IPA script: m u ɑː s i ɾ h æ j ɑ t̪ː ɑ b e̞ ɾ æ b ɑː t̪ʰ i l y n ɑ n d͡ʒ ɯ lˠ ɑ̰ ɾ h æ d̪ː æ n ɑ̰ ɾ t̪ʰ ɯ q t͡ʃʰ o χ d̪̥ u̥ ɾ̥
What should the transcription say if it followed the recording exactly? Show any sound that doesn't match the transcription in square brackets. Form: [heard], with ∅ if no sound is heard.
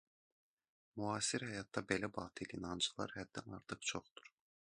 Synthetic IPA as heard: m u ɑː s i ɾ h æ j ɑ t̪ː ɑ b e̞ [l] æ b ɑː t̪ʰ i l [i] n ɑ n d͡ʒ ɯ lˠ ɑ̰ ɾ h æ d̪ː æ n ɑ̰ ɾ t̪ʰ ɯ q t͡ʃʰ o χ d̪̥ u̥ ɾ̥